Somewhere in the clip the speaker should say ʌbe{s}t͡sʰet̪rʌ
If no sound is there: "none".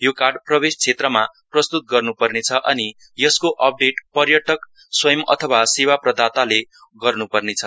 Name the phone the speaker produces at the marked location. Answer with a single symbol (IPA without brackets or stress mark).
s